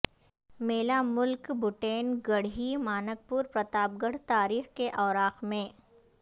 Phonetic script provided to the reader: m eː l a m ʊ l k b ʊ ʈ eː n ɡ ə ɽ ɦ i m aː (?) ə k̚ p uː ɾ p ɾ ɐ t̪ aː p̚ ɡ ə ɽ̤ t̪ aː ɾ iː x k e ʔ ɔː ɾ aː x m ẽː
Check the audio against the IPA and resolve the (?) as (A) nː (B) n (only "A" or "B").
B